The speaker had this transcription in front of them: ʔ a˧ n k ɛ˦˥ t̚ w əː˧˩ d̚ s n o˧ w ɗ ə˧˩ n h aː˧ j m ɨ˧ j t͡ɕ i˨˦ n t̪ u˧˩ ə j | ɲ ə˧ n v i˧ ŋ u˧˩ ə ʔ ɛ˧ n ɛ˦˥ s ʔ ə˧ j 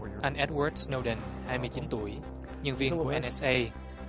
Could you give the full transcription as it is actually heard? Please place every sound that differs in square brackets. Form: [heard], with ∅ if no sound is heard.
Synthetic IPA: ʔ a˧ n [ʔ] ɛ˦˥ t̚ w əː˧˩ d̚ s n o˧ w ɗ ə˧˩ n h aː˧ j m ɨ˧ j t͡ɕ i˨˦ n t̪ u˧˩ ə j | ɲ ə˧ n v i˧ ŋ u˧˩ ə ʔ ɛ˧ n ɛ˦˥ s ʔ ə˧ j